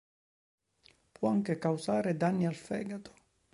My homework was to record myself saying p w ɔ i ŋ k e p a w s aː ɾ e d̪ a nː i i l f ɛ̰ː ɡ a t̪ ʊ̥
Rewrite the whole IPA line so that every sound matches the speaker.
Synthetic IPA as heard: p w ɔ a ŋ k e k a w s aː ɾ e d̪ a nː i a l f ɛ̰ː ɡ a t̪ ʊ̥

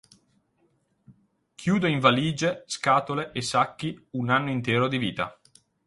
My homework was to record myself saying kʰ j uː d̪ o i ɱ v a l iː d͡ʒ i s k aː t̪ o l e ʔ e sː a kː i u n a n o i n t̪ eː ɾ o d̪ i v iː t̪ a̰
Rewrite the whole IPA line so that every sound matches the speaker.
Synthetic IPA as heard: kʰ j uː d̪ o i ɱ v a l iː d͡ʒ e s k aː t̪ o l e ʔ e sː a kː i u n a nː o i n t̪ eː ɾ o d̪ i v iː t̪ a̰

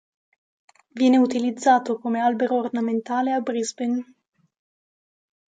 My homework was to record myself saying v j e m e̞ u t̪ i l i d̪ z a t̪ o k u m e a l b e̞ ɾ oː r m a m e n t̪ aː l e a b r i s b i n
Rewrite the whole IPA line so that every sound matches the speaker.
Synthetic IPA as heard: v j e n e̞ u t̪ i l i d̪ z a t̪ o k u m e a l b e̞ ɾ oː r n a m e n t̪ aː l e a b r i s b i n

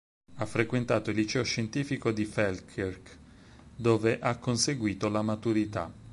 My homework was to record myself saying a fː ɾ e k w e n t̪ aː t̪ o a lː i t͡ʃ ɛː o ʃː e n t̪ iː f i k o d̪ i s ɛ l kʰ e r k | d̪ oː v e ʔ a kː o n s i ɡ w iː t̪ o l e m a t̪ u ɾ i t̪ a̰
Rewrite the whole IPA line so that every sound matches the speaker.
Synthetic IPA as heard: a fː ɾ e k w e n t̪ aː t̪ o i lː i t͡ʃ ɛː o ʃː e n t̪ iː f i k o d̪ i f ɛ l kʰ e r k | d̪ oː v e ʔ a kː o n s e ɡ w iː t̪ o l a m a t̪ u ɾ i t̪ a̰

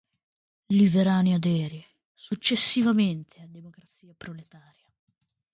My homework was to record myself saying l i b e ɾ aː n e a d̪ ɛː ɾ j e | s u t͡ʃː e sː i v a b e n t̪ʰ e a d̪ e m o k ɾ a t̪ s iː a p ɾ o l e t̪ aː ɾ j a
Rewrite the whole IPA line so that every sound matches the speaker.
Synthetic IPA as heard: l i v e ɾ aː n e a d̪ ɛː ɾ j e | s u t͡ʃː e sː i v a m e n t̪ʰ e a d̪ e m o k ɾ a t̪ s iː a p ɾ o l e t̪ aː ɾ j a

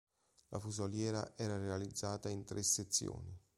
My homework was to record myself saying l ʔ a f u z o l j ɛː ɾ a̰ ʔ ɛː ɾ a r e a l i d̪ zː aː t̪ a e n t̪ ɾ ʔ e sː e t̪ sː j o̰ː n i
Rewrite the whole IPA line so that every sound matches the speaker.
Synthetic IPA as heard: l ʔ a f u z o l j ɛː ɾ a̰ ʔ ɛː ɾ a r e a l i d̪ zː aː t̪ a i n t̪ ɾ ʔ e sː e t̪ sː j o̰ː n i

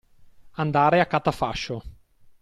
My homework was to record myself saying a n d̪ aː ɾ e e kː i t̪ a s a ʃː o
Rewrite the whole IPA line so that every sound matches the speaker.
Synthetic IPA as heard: a n d̪ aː ɾ e a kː a t̪ a f a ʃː o

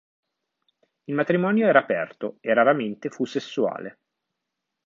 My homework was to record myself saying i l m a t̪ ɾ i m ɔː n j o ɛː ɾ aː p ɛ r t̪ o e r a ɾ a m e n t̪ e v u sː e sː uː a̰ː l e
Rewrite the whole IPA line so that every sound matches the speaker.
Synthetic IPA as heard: i l m a t̪ ɾ i m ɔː n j o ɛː ɾ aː p ɛ r t̪ o e r a ɾ a m e n t̪ e f u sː e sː u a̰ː l e

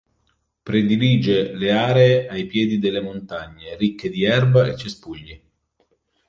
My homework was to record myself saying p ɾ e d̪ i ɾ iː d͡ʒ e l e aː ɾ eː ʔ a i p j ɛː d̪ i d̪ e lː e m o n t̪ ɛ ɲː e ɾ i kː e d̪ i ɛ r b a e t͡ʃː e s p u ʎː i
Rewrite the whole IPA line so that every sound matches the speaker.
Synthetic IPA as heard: p ɾ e d̪ i l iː d͡ʒ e l e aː ɾ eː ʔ a j p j ɛː d̪ i d̪ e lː e m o n t̪ a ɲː e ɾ i kː e d̪ i ɛ r b a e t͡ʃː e s p u ʎː i

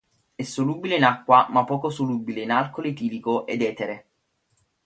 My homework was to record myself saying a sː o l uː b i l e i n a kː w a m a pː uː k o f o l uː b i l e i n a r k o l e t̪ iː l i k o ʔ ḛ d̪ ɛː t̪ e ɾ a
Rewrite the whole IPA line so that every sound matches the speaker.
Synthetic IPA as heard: ɛ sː o l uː b i l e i n a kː w a m a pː ɔː k o s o l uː b i l e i n a l k o l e t̪ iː l i k o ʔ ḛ d̪ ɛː t̪ e ɾ e

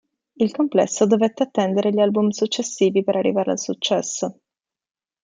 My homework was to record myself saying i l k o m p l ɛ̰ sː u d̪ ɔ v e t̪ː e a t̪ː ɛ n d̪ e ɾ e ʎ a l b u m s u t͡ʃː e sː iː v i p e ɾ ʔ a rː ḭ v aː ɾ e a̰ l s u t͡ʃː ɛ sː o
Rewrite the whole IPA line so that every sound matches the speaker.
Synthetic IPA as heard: i l k o m p l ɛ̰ sː o d̪ o v e t̪ː e a t̪ː ɛ n d̪ e ɾ e ʎ a l b u m s u t͡ʃː e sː iː v i p e ɾ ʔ a rː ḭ v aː ɾ e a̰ l s u t͡ʃː ɛ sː o

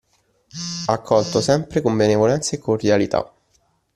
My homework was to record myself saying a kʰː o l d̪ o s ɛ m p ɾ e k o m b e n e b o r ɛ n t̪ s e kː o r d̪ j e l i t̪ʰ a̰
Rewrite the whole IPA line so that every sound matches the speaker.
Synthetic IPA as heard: a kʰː ɔ l t̪ o s ɛ m p ɾ e k o m b e n e v o l ɛ n t̪ s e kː o r d̪ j a l i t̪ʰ a̰

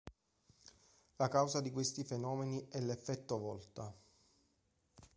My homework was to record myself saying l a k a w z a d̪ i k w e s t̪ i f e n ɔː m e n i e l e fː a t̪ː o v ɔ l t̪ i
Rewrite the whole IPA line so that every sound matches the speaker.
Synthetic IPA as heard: l a k a w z a d̪ i k w e s t̪ i f e n ɔː m e n i ɛ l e fː ɛ t̪ː o v ɔ l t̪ a

